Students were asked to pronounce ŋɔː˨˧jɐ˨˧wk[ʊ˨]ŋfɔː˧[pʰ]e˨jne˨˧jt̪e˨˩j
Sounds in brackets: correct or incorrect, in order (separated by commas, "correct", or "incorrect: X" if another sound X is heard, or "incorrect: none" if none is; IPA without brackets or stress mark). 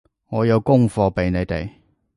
incorrect: ʊ˥, incorrect: p